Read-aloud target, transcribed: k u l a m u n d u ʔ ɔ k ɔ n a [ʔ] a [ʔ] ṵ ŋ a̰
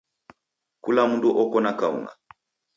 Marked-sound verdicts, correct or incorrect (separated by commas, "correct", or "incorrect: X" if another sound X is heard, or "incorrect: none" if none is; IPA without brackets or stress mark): incorrect: k, incorrect: none